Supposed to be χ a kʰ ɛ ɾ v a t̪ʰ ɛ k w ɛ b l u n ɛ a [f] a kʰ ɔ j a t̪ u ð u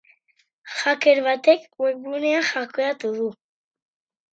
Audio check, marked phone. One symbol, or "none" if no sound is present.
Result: χ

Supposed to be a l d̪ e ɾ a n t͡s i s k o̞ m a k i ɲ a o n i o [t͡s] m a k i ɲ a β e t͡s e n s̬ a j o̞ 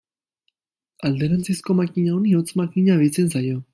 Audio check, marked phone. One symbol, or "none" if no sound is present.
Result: t͡s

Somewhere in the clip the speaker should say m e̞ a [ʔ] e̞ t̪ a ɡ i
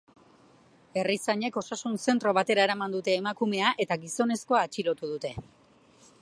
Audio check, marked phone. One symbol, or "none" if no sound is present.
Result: ʔ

